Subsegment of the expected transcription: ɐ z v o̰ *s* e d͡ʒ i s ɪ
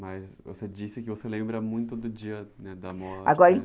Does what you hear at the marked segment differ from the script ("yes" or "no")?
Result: no